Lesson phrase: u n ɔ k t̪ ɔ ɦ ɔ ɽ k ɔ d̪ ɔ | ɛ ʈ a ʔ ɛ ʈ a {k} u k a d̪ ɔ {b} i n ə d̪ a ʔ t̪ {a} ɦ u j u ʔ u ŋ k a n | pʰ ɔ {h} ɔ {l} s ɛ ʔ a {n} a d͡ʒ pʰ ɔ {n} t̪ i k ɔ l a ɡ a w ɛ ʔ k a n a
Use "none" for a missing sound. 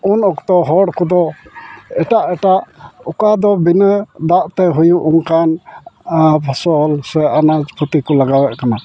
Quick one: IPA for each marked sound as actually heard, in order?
ʔ, b, ɛ, s, l, n, none

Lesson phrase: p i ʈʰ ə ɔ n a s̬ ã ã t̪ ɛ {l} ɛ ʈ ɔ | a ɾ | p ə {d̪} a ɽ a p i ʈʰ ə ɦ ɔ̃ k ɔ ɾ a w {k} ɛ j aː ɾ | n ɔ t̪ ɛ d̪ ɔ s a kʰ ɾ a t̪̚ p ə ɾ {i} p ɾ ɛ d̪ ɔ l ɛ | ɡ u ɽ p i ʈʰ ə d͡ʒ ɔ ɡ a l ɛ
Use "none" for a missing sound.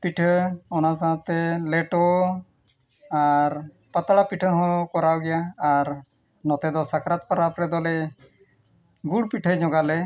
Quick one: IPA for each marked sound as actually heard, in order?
l, t̪, ɡ, a

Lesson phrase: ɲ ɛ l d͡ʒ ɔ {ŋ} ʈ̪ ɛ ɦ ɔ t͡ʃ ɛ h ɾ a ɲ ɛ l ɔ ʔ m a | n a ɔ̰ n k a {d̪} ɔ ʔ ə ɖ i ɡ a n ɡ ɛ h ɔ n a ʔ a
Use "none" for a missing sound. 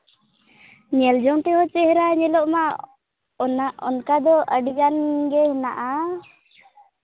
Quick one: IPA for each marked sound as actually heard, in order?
ŋ, d̪

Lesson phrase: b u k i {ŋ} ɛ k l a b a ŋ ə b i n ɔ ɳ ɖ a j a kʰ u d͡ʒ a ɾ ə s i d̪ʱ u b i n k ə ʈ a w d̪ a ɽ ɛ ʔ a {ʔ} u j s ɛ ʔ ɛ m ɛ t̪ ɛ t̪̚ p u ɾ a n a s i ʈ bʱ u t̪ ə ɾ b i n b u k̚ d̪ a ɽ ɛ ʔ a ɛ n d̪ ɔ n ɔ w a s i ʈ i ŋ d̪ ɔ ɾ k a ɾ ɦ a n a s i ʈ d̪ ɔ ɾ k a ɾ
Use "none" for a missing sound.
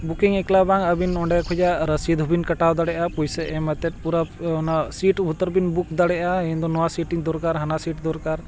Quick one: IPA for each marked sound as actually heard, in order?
ŋ, p

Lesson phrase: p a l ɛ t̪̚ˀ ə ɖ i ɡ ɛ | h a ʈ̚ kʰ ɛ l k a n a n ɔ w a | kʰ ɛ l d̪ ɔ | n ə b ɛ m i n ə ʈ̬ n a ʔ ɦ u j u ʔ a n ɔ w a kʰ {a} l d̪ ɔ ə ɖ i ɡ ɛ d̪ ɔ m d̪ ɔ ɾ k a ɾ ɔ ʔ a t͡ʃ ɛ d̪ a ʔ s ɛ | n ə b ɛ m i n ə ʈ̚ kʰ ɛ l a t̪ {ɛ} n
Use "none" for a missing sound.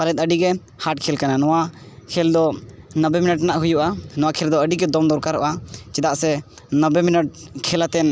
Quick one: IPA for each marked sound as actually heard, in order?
ɛ, ɛ

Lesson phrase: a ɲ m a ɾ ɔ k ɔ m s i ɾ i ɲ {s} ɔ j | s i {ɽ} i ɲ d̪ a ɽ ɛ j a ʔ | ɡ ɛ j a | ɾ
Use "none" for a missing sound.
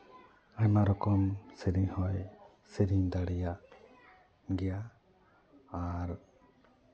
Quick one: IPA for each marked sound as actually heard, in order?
h, ɾ

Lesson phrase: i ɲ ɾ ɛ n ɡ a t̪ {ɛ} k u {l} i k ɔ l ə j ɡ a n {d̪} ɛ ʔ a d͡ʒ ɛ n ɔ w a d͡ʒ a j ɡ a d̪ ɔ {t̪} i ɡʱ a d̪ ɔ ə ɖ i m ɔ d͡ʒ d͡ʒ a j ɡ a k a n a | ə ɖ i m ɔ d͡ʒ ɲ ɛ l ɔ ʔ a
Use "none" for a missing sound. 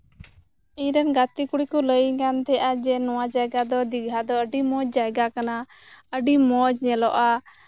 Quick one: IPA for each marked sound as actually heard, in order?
i, ɽ, t̪, d̪

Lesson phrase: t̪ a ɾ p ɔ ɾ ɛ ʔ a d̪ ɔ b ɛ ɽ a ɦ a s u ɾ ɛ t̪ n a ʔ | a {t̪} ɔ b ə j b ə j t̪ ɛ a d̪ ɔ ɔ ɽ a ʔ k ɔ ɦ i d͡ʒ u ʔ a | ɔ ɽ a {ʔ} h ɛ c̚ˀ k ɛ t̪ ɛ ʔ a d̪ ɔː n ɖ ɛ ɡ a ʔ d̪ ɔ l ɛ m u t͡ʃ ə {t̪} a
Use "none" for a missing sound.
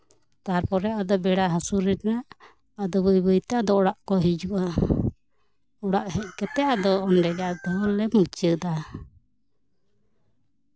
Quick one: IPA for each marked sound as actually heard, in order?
d̪, ʔ, d̪

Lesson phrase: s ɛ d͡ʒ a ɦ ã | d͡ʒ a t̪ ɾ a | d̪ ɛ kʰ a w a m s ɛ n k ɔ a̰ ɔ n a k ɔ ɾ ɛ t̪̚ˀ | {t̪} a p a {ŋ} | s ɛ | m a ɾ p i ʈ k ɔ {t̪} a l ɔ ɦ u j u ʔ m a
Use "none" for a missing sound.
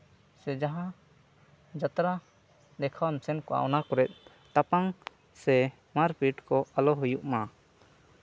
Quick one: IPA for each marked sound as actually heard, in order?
t̪, ŋ, none

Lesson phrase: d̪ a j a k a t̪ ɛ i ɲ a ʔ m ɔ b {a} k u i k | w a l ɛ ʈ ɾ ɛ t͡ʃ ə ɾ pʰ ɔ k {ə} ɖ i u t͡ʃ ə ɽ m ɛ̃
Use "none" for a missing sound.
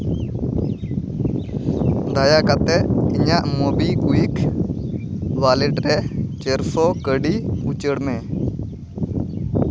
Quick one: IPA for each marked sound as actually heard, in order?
i, ə

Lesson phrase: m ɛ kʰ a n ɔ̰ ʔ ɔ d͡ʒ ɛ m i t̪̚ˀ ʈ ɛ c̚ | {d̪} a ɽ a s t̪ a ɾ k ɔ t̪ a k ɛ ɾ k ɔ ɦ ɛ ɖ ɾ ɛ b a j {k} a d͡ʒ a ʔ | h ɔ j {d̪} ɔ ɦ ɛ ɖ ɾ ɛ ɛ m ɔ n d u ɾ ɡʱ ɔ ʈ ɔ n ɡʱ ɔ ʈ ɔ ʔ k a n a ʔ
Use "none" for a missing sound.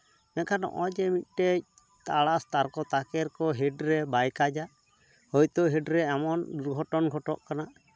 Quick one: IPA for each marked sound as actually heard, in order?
t̪, k, t̪

